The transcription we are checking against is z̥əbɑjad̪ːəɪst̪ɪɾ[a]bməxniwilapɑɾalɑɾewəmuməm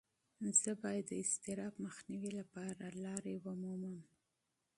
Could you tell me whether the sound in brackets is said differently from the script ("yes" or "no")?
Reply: yes